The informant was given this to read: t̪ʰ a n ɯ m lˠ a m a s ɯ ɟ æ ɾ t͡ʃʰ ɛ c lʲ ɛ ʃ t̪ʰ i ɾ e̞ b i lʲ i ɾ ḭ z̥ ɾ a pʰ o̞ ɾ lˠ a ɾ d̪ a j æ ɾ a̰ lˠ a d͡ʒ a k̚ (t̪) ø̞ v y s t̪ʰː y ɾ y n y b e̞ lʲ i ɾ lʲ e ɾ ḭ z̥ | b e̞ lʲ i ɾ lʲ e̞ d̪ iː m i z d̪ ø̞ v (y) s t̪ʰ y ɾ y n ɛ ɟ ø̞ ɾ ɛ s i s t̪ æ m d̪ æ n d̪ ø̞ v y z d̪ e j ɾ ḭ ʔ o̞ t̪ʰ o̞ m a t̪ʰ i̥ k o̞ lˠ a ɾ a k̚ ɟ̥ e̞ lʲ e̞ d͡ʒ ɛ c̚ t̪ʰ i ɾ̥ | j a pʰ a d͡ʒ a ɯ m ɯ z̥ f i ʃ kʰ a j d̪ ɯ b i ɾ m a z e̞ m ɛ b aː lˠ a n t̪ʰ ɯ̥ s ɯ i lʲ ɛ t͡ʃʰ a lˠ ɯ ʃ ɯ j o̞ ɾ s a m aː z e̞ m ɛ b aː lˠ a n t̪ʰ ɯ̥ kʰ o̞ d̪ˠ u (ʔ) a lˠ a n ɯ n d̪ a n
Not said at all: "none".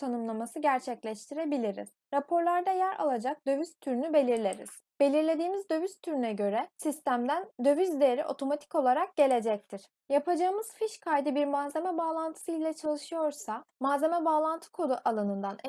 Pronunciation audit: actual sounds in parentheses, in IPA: d̪, y, ʔ

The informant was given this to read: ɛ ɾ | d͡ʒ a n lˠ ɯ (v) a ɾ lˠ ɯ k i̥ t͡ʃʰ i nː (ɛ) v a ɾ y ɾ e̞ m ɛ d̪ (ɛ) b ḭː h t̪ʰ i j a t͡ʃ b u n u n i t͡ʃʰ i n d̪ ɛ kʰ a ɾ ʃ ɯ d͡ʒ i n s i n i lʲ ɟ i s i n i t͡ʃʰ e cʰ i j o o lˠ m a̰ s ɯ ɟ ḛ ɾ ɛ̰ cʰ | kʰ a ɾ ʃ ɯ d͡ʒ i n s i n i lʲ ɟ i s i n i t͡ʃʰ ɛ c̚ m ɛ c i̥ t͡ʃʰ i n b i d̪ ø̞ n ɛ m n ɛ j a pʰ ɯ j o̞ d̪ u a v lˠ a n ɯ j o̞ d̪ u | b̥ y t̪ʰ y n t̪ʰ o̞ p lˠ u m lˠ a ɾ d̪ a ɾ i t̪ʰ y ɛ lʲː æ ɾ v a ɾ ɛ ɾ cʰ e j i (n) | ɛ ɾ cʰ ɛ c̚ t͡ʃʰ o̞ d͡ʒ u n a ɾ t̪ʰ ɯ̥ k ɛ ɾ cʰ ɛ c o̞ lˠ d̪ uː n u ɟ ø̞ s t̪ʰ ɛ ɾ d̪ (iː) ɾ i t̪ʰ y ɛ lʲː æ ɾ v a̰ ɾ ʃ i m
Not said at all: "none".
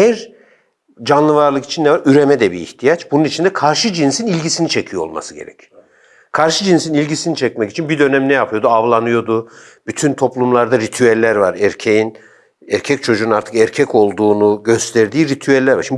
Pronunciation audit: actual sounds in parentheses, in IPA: v, ɛ, ɛ, n, iː

